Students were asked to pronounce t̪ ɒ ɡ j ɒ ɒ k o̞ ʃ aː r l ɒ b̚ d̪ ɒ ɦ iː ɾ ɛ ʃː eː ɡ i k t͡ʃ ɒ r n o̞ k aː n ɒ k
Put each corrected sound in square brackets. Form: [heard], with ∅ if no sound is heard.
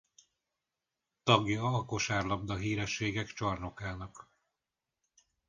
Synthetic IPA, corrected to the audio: t̪ ɒ ɡ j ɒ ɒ k o̞ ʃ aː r l ɒ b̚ d̪ ɒ ɦ iː ɾ ɛ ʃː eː ɡ [ɛ] k t͡ʃ ɒ r n o̞ k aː n ɒ k